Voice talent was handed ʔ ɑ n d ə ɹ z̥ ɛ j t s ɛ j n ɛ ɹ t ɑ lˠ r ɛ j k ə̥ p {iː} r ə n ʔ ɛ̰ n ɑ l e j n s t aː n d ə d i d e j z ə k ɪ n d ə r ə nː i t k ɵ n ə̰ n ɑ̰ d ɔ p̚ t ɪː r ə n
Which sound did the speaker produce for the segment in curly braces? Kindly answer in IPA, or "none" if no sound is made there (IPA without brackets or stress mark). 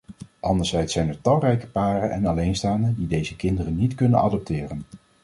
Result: aː